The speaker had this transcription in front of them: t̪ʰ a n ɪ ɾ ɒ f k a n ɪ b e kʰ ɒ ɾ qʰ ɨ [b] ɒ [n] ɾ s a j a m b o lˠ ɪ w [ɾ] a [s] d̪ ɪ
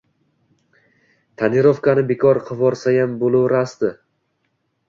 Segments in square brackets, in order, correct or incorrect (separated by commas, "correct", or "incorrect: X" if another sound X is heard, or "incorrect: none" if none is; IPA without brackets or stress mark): incorrect: v, incorrect: none, correct, correct